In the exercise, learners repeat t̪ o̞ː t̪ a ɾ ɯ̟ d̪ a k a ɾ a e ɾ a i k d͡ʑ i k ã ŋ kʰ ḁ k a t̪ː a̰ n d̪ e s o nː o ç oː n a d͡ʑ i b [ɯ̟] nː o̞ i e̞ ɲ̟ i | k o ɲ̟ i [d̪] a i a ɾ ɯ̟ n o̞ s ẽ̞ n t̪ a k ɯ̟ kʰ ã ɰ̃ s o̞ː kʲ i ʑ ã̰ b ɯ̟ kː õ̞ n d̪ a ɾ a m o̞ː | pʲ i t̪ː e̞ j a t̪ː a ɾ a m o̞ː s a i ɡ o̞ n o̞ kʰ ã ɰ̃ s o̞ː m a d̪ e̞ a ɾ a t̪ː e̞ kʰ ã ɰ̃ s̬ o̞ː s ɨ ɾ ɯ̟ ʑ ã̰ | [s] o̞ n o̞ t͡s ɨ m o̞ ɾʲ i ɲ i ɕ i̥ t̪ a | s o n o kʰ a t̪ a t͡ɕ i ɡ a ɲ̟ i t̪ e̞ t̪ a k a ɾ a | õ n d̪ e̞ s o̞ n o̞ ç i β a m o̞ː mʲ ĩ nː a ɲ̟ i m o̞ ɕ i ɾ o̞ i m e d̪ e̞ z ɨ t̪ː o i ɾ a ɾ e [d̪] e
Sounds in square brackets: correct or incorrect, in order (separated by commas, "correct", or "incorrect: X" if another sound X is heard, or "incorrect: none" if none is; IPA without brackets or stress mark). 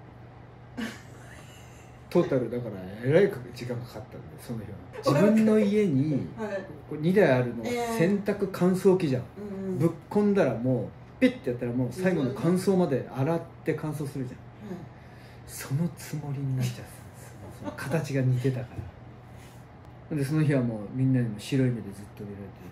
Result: incorrect: ɯ̟̃, correct, correct, incorrect: t̪